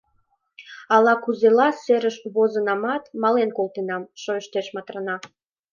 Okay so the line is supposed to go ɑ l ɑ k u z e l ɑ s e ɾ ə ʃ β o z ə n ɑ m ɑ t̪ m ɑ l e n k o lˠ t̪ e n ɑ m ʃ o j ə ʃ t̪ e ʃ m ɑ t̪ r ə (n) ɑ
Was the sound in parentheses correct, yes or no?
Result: yes